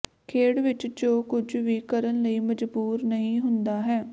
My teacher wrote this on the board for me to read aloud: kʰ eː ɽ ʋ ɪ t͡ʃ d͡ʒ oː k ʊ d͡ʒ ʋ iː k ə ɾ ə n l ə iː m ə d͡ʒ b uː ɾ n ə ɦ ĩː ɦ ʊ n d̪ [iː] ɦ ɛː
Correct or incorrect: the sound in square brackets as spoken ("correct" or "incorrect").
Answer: incorrect